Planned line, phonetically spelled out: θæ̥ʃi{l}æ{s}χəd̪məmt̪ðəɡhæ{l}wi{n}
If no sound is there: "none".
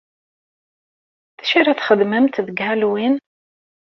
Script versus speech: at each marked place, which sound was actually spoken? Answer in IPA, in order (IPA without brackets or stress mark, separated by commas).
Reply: ɾ, θ, l, n